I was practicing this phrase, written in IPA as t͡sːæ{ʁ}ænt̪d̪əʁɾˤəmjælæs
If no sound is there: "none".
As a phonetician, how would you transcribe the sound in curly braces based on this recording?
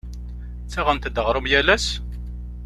ʁ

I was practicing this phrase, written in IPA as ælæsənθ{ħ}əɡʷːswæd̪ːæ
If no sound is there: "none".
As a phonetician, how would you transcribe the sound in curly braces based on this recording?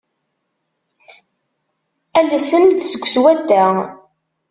s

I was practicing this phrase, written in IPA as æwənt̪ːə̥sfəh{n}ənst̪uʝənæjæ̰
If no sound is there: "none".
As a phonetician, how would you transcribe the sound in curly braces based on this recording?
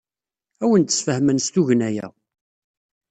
m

